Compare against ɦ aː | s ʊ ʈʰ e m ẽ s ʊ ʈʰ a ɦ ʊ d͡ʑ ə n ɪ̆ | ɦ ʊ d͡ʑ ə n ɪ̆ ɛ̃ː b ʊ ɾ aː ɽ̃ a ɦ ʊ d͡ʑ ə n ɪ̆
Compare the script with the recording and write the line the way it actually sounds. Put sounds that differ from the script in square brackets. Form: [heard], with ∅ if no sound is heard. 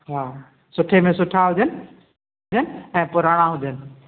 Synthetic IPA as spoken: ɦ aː | s ʊ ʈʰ e m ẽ s ʊ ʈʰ a ɦ ʊ d͡ʑ ə n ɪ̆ | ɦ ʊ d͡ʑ ə n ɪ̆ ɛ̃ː [p] ʊ ɾ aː ɽ̃ a ɦ ʊ d͡ʑ ə n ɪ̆